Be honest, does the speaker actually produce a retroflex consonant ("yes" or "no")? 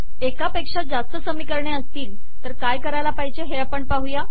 yes